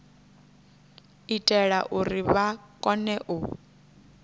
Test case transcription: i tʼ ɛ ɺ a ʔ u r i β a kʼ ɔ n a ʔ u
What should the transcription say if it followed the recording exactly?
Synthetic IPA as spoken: i tʼ ɛ ɺ a ʔ u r i β a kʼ ɔ n ɛ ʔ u

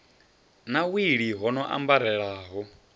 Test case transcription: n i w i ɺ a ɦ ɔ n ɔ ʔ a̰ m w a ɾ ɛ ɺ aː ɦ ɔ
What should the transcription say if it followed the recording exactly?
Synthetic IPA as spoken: n a w i ɺ i ɦ ɔ n ɔ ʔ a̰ m b a ɾ ɛ ɺ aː ɦ ɔ

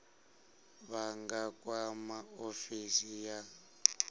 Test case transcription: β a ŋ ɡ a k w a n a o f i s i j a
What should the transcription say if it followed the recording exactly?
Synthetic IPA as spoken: β a ŋ ɡ a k w a m a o f i s i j a

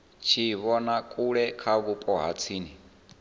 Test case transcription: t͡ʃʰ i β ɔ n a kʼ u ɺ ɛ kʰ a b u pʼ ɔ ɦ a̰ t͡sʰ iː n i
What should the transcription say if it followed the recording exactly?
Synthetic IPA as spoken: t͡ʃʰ i β ɔ n a kʼ u ɺ ɛ kʰ a β u pʼ ɔ ɦ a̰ t͡sʰ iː n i

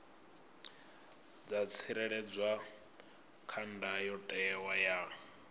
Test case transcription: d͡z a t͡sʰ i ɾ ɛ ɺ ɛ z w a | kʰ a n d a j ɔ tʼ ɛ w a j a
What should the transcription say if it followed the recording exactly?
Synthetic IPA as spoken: d͡z a t͡sʰ i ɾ ɛ ɺ ɛ d͡z w a | kʰ a n d a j ɔ tʼ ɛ w a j a

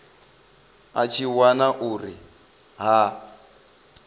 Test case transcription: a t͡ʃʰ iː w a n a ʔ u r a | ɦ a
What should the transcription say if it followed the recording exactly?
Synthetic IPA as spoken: a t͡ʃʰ i w a n a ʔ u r i | ɦ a

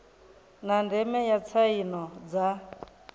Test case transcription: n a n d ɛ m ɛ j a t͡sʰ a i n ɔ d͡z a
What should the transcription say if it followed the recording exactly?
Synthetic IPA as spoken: n a n d ɛ m ɛ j a t͡sʰ a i n ɔ d͡z a

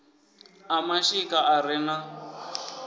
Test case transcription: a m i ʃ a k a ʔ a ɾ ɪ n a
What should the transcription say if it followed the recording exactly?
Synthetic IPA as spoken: a m a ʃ i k a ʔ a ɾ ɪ n a

